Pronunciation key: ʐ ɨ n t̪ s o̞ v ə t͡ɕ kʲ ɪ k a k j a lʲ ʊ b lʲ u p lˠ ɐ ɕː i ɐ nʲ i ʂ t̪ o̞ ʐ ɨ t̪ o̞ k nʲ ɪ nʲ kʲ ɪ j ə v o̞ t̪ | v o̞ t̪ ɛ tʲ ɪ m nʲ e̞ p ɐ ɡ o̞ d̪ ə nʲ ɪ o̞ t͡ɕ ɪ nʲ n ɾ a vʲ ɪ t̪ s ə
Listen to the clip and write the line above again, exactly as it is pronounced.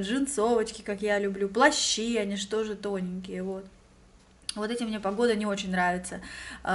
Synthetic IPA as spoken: ʐ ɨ n t̪ s o̞ v ə t͡ɕ kʲ ɪ k a k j a lʲ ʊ b lʲ u p lˠ ɐ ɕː i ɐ nʲ i ʂ t̪ o̞ ʐ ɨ t̪ o̞ nʲ ɪ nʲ kʲ ɪ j ə v o̞ t̪ | v o̞ t̪ ɛ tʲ ɪ m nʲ e̞ p ɐ ɡ o̞ d̪ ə nʲ ɪ o̞ t͡ɕ ɪ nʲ n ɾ a vʲ ɪ t̪ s ə